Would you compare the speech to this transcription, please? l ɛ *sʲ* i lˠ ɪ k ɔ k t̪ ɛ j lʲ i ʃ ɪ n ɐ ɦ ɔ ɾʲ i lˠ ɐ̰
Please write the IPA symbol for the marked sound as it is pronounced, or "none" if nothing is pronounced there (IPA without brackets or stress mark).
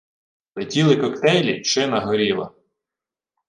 tʲ